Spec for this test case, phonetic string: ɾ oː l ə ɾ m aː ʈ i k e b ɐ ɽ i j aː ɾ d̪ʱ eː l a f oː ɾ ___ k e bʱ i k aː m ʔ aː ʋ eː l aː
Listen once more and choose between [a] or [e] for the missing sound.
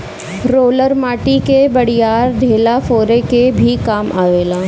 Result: e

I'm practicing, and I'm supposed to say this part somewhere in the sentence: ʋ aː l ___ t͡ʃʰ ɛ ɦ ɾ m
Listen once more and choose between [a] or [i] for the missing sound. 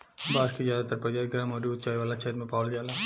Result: a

